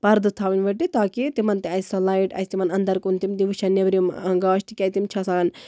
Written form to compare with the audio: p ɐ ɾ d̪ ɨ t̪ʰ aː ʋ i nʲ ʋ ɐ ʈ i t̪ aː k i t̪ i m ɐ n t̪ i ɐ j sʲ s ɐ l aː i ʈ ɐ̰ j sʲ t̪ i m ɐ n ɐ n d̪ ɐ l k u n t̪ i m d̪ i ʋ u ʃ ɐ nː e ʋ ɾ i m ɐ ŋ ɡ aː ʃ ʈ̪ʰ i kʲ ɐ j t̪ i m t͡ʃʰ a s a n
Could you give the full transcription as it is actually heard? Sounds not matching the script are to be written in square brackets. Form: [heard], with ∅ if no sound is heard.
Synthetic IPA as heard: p ɐ ɾ d̪ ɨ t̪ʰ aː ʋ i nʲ ʋ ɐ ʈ i t̪ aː k i t̪ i m ɐ n t̪ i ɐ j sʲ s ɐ l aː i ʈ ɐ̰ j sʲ t̪ i m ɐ n ɐ n d̪ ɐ [ɾ] k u n t̪ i m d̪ i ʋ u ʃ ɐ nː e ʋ ɾ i m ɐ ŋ ɡ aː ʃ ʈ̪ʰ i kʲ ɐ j t̪ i m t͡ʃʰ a s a n